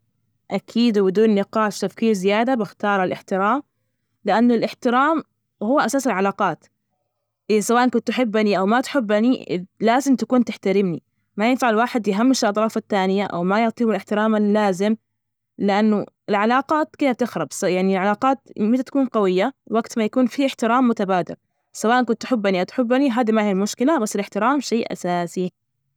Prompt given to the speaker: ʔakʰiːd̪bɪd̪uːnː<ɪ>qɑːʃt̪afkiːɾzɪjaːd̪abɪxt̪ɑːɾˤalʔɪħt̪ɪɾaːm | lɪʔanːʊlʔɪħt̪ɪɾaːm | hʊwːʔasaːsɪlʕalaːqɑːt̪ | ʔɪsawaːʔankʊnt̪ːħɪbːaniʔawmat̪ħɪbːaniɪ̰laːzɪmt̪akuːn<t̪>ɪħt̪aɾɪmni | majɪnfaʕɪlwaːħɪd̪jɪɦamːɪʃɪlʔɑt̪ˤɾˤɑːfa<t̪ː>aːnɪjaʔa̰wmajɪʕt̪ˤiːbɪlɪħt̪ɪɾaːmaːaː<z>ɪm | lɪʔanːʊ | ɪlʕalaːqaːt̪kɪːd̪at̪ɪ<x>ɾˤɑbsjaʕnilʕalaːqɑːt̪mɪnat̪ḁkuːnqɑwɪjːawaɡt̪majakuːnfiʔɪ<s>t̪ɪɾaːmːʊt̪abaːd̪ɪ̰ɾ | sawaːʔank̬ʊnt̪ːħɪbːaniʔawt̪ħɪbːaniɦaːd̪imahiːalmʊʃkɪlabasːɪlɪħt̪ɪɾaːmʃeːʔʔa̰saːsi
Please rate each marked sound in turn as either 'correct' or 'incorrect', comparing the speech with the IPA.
correct, correct, correct, correct, correct, incorrect: ħ

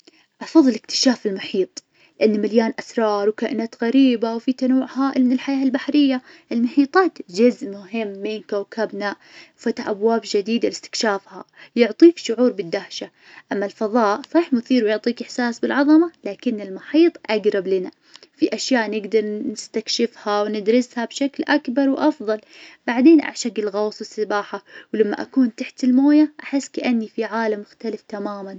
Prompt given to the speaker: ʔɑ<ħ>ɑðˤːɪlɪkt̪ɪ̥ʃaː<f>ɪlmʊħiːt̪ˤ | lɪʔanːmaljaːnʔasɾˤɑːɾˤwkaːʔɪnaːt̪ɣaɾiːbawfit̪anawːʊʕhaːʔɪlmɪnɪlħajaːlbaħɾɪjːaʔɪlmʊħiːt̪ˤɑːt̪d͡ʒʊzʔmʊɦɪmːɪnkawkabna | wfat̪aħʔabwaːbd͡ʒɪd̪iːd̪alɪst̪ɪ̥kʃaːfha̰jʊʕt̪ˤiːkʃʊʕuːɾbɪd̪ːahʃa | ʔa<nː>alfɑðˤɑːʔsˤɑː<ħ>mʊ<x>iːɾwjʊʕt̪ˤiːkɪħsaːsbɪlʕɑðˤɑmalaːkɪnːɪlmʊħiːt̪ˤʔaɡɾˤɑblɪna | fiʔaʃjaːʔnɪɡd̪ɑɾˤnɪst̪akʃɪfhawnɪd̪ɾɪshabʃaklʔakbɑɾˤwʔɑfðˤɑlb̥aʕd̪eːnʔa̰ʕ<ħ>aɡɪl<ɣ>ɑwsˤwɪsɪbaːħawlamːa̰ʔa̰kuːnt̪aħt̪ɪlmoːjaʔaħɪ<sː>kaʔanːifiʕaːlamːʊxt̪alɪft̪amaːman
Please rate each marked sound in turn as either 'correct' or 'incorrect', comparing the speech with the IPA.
incorrect: f, correct, incorrect: mː, correct, incorrect: θ, incorrect: ʃ, correct, correct

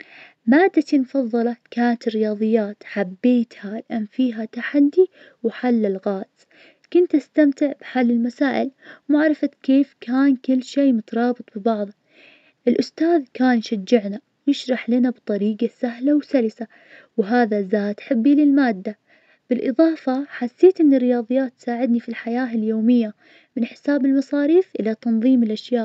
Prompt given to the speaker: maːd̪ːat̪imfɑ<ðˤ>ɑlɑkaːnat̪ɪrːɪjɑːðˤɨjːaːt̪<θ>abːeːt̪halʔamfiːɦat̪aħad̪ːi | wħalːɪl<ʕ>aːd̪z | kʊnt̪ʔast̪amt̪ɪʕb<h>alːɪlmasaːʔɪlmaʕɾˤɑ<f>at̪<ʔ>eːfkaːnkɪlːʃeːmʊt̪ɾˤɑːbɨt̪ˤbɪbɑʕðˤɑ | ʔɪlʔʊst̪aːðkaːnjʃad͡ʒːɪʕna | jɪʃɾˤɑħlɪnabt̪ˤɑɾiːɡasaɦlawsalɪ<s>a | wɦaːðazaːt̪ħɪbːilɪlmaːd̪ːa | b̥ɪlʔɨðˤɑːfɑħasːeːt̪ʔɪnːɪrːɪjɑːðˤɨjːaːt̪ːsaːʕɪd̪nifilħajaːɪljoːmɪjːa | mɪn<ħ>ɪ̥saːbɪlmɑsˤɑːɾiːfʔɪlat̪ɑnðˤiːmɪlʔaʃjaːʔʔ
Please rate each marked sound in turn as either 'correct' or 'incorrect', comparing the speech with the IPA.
incorrect: ðˤː, incorrect: ħ, incorrect: ɣ, incorrect: ħ, correct, incorrect: k, correct, correct

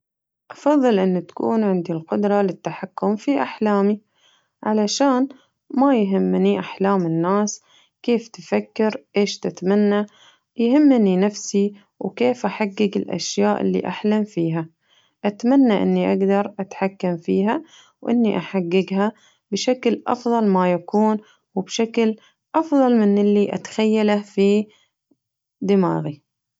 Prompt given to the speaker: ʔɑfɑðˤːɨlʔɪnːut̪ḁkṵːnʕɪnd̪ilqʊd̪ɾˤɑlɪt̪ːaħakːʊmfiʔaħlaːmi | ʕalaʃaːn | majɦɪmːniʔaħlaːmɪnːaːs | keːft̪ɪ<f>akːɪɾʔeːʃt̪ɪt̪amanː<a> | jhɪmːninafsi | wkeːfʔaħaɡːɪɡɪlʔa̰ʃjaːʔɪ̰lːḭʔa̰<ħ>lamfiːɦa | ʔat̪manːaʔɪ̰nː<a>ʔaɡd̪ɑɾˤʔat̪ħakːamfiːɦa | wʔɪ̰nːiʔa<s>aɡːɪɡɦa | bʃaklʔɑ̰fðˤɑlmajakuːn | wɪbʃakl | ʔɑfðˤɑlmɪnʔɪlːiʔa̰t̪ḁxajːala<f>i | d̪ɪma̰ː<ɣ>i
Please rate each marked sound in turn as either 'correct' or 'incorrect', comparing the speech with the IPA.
correct, correct, correct, incorrect: i, incorrect: ħ, correct, correct

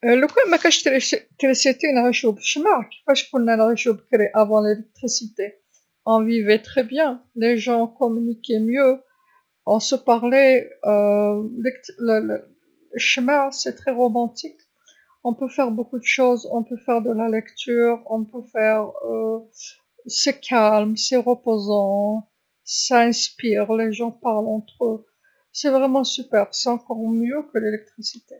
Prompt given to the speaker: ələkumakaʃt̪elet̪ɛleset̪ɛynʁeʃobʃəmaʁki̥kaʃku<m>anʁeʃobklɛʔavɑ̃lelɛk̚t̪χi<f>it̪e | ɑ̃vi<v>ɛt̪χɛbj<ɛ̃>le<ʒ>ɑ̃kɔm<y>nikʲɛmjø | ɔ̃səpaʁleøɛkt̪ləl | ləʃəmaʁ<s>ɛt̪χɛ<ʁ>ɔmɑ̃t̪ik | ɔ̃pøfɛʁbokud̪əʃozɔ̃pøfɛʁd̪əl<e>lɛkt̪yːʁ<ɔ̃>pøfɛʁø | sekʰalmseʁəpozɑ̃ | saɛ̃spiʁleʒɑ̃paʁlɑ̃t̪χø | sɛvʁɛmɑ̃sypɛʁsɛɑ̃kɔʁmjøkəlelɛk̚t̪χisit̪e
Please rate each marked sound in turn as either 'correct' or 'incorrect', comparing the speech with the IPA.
incorrect: n, incorrect: s, correct, correct, correct, correct, correct, correct, incorrect: a, correct

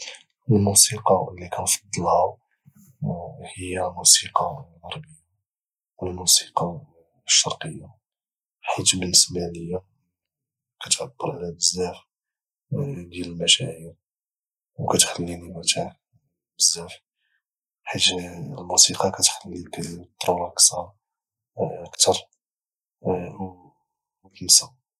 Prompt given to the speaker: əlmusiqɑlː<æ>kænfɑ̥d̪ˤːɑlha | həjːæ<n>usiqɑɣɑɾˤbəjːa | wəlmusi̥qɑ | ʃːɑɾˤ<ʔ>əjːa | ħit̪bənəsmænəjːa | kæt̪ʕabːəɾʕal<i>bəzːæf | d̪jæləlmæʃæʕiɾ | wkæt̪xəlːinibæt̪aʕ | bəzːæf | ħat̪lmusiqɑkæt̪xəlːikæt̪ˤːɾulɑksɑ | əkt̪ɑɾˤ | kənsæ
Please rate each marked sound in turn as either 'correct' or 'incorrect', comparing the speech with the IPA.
incorrect: i, incorrect: m, incorrect: q, incorrect: æ

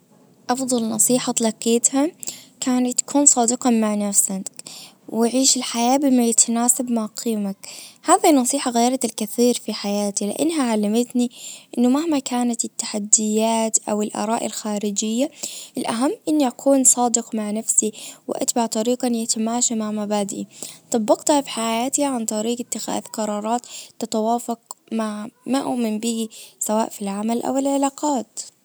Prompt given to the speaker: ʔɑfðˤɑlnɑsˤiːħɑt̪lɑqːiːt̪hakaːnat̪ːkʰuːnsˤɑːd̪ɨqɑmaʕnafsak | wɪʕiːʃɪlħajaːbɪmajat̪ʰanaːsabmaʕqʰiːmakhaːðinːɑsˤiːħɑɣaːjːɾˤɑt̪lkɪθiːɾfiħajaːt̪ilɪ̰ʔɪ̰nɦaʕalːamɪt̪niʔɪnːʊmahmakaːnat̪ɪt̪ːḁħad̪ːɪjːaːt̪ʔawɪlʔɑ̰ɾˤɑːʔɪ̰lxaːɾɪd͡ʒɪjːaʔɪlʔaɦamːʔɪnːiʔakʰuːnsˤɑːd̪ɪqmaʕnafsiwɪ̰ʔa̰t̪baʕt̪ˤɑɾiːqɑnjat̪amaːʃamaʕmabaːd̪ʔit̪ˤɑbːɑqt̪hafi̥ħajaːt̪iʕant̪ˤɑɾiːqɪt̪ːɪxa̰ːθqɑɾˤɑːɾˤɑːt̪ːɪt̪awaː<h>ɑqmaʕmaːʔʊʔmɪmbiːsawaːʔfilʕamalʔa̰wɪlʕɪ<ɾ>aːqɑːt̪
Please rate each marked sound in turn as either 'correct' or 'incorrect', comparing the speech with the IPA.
incorrect: f, incorrect: l

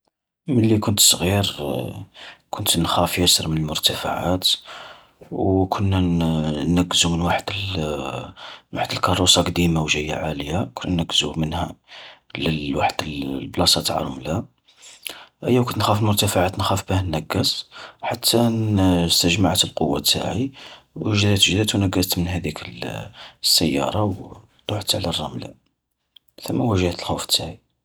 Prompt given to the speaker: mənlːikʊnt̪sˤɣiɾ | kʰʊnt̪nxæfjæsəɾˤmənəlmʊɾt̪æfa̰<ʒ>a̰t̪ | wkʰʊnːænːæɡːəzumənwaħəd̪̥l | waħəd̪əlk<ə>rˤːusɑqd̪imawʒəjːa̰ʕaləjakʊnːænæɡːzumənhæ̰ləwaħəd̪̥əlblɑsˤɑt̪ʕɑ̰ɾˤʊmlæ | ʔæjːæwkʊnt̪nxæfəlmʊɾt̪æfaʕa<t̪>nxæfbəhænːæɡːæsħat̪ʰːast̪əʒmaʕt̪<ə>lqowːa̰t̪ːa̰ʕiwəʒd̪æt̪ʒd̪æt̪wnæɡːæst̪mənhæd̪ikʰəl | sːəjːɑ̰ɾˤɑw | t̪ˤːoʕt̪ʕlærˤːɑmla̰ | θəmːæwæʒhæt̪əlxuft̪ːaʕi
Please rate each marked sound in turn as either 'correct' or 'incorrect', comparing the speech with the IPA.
incorrect: ʕ, incorrect: ɑ, correct, correct

